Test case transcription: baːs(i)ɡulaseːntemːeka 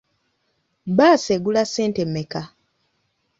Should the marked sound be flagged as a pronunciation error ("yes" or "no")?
yes